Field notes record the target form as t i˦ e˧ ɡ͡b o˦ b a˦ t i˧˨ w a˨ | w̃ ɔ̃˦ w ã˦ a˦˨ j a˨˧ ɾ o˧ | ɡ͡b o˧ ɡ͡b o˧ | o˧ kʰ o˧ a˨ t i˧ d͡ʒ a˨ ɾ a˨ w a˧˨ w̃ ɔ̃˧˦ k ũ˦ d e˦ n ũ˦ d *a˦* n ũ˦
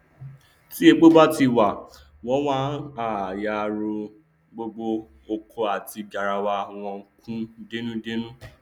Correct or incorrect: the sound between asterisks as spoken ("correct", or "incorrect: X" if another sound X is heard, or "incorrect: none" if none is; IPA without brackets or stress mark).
incorrect: e˦